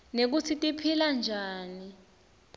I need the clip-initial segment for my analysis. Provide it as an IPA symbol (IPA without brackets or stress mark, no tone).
n